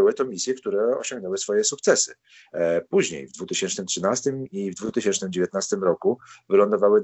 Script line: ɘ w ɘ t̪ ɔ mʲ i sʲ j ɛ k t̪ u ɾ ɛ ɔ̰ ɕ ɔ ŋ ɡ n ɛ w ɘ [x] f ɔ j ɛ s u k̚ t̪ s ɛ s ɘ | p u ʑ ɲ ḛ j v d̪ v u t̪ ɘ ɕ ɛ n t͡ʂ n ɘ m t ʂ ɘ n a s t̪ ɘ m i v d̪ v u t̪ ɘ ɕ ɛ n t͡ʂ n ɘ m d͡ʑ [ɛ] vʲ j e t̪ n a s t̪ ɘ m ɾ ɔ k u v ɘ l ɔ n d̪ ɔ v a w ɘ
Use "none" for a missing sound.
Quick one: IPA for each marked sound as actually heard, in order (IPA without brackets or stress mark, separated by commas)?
s, e